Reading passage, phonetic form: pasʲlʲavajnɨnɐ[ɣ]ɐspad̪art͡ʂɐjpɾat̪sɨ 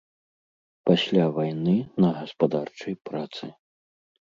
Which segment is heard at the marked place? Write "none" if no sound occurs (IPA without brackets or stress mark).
ɣ